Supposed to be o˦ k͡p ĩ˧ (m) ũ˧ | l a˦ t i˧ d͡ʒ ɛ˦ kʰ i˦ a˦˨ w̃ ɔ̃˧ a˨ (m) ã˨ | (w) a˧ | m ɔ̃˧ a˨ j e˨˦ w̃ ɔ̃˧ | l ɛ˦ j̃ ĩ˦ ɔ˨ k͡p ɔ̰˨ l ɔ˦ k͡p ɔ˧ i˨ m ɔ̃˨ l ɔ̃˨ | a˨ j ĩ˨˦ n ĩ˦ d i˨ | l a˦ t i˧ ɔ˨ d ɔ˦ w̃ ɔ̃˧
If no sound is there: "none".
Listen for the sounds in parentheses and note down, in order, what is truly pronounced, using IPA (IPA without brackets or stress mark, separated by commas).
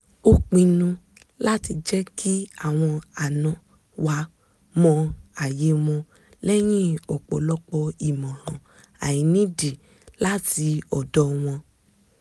n, n, w